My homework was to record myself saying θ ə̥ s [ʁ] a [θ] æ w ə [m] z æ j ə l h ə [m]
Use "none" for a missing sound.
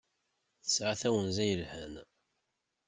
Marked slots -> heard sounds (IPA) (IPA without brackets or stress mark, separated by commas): ʕ, θ, n, n